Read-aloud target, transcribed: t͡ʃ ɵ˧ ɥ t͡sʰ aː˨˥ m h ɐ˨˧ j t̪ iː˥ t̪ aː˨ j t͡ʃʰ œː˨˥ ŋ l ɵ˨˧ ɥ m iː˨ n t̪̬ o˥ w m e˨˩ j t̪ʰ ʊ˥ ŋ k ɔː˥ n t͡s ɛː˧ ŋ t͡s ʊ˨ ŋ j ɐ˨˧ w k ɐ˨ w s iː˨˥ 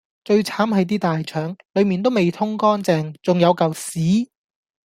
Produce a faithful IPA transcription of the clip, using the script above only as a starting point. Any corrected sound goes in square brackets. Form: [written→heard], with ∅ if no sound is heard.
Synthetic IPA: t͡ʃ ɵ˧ ɥ t͡sʰ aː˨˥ m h ɐ˨˧ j t̪ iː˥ t̪ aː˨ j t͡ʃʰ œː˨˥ ŋ l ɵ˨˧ ɥ m iː˨ n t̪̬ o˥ w m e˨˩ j t̪ʰ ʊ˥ ŋ k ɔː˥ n t͡s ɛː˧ ŋ t͡s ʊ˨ ŋ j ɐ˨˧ w k ɐ˨ w s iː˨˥